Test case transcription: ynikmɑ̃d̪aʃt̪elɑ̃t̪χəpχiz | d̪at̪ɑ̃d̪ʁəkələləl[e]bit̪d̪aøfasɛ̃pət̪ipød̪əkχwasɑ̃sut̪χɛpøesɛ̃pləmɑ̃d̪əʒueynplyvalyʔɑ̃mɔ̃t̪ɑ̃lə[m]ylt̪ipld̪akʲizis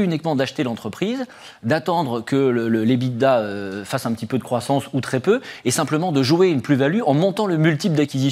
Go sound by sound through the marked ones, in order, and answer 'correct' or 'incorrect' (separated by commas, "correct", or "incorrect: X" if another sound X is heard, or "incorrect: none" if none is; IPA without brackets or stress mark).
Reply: correct, correct